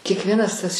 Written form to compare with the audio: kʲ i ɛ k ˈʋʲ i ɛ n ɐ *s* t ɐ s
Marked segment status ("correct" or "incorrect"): correct